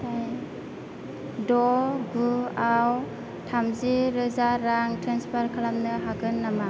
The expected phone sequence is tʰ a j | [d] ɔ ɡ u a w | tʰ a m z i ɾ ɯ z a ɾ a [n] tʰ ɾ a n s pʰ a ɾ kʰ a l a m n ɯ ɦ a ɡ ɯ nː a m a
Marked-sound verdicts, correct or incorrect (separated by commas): correct, incorrect